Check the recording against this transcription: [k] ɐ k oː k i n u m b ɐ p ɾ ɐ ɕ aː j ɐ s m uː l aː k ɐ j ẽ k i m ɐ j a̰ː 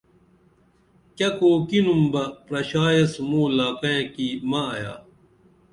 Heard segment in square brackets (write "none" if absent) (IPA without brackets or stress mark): k